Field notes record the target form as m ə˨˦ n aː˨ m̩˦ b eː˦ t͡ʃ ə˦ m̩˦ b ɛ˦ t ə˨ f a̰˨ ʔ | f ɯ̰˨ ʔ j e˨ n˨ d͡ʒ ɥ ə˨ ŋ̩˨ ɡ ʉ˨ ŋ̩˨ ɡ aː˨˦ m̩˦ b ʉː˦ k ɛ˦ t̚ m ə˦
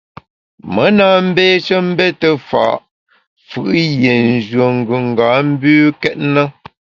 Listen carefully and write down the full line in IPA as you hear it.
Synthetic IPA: m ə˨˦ n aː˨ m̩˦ b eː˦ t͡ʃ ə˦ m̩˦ b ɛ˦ t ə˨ f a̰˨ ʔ | f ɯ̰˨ ʔ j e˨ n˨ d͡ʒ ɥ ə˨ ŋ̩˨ ɡ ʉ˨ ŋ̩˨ ɡ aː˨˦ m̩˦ b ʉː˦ k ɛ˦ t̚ n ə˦